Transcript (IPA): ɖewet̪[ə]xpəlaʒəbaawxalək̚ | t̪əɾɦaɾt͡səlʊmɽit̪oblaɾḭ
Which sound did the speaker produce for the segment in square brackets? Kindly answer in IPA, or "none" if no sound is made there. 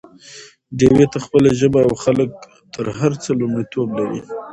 a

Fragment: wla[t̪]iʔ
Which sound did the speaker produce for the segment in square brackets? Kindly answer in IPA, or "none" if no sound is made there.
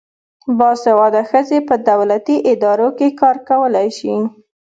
t̪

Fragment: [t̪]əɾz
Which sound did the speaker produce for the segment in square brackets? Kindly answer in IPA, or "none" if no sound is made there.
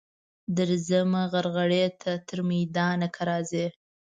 d̪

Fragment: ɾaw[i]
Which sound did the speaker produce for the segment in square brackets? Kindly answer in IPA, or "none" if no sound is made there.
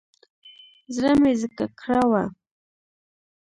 a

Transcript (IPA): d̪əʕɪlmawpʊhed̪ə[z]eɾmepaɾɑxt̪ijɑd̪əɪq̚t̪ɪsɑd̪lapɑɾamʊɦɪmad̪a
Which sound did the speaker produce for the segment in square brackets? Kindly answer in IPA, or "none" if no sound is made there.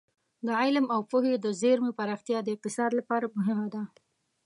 z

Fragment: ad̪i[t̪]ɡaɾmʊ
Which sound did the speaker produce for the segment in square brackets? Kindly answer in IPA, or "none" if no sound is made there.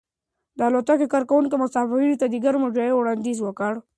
none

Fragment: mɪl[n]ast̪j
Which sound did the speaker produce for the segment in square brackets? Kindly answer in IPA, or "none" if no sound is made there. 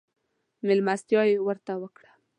m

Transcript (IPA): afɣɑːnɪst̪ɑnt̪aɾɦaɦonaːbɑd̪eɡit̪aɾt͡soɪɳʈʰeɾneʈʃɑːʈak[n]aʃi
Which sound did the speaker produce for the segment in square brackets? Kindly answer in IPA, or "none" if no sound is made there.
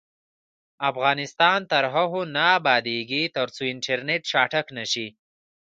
n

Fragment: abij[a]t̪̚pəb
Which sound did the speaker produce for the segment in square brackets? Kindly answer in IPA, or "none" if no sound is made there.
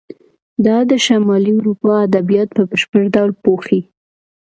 ɑ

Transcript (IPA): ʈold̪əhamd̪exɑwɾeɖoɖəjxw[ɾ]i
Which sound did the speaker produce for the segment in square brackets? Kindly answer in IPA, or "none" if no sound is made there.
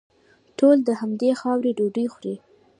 ɾ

